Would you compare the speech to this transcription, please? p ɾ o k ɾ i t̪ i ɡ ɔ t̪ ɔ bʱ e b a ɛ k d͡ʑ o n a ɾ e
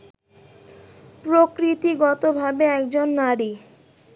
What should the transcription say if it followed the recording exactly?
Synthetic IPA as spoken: p ɾ o k ɾ i t̪ i ɡ ɔ t̪ o bʱ a b e ɛ k d͡ʑ o nː a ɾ i